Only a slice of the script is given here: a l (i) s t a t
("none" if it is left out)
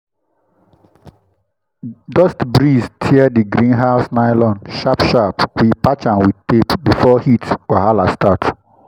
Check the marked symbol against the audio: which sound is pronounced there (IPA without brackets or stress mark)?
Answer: a